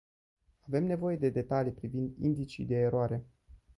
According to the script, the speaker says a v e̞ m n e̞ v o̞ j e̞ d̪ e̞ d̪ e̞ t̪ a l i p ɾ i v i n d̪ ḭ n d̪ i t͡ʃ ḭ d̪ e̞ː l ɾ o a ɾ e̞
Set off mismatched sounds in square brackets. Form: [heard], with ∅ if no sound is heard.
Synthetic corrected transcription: a v e̞ m n e̞ v o̞ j e̞ d̪ e̞ d̪ e̞ t̪ a l i p ɾ i v i n d̪ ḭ n d̪ i t͡ʃ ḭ d̪ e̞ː [∅] ɾ o a ɾ e̞